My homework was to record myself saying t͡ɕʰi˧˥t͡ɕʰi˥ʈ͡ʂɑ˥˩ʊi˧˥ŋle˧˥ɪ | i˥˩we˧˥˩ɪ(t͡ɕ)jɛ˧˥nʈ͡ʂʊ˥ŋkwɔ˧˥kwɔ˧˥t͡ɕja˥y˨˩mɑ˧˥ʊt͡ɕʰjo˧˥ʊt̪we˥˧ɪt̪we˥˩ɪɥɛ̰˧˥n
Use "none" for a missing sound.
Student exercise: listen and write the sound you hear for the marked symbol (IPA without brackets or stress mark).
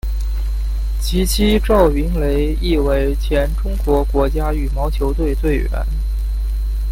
t͡ɕʰ